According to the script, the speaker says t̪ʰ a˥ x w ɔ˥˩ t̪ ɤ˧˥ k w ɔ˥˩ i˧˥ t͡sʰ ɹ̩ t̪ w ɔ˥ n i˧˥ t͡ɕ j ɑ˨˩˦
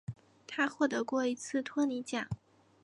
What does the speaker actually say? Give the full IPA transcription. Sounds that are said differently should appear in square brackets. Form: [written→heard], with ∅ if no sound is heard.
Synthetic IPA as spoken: t̪ʰ a˥ x w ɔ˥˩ t̪ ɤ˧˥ k w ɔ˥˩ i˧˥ t͡sʰ ɹ̩ [t̪→t̪ʰ] w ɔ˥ n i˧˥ t͡ɕ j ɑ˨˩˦